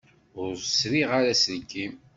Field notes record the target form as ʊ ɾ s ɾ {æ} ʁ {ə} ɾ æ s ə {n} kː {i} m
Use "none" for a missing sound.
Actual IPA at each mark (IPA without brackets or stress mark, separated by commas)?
i, a, n, i